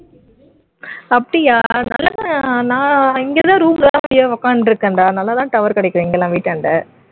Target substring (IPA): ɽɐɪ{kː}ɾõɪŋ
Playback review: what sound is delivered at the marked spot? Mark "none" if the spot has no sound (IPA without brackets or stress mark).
kː